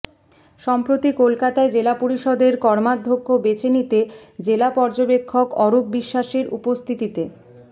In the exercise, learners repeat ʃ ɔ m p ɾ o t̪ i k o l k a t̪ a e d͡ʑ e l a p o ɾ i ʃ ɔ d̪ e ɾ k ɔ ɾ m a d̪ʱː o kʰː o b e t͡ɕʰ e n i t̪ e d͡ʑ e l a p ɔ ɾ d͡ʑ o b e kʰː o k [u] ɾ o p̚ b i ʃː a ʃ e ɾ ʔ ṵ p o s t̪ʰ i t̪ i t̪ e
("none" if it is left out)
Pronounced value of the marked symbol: ɔ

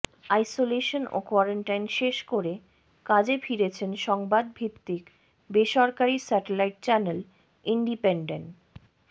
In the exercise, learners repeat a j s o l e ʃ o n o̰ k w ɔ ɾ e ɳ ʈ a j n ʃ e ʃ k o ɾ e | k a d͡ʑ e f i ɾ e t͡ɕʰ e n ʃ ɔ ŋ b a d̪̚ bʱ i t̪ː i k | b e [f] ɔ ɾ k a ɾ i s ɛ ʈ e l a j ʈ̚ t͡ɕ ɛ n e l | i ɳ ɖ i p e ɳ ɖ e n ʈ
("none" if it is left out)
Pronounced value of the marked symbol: ʃ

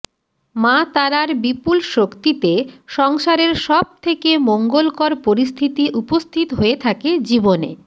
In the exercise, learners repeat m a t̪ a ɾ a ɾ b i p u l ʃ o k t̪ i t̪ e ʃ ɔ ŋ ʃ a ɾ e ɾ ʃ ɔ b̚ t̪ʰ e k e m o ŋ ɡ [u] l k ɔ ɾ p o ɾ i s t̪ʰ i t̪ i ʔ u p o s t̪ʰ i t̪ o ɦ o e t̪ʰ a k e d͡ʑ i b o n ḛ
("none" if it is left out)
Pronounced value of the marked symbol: o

